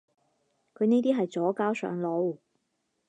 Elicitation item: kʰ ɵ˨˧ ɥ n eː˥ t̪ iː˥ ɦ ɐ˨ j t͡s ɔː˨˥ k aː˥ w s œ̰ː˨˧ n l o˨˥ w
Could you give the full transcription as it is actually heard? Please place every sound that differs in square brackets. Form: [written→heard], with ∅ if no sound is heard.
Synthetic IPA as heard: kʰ ɵ˨˧ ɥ n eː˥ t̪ iː˥ ɦ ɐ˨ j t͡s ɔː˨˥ k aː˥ w s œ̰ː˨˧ [n→ŋ] l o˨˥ w